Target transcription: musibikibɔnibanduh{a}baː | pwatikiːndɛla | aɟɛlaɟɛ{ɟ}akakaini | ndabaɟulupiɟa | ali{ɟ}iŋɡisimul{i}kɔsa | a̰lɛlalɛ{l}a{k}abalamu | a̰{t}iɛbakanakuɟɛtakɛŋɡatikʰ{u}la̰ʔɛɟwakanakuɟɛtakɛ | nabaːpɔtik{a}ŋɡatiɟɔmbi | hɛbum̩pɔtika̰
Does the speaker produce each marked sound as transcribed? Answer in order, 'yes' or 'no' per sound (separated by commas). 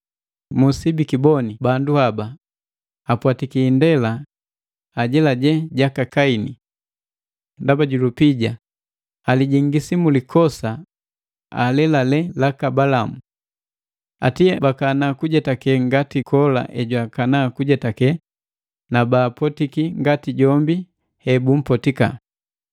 yes, yes, yes, yes, yes, yes, yes, no, no